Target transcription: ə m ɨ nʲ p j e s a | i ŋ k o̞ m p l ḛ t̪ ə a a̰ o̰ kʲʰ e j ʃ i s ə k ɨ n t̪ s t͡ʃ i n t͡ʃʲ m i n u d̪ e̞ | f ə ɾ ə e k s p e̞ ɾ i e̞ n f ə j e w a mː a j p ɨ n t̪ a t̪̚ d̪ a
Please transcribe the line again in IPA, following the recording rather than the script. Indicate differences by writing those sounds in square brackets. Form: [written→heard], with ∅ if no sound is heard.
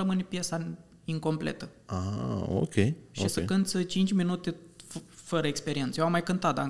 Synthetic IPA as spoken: ə m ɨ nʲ p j e s a | i ŋ k o̞ m p l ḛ t̪ ə a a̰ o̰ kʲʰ e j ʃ i s ə k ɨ n t̪ s t͡ʃ i n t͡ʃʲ m i n u [d̪→t̪] e̞ | f ə ɾ ə e k s p e̞ ɾ i e̞ n [f→s] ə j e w a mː a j [p→k] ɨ n t̪ a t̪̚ d̪ a